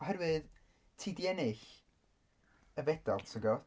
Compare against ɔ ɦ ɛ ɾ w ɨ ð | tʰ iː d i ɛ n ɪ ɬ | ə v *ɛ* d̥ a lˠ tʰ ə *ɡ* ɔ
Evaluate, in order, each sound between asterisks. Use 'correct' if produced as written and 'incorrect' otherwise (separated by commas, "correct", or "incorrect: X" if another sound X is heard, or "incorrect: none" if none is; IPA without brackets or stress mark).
correct, correct